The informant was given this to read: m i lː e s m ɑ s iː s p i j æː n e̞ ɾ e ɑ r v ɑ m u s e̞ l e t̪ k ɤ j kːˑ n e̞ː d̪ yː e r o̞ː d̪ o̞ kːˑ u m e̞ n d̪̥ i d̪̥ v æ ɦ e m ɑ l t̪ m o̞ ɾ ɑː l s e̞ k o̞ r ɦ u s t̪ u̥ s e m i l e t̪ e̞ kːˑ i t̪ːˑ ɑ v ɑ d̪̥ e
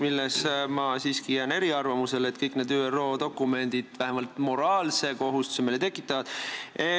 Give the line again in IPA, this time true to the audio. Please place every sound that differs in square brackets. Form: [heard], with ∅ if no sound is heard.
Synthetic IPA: m i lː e s m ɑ s iː s [k] i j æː n e̞ ɾ [i] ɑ r v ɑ m u s e̞ l e t̪ k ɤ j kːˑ n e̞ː d̪ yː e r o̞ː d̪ o̞ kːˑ u m e̞ n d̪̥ i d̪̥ v æ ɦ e m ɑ l t̪ m o̞ ɾ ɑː l s e̞ k o̞ [∅] ɦ u s t̪ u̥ s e m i l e t̪ e̞ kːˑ i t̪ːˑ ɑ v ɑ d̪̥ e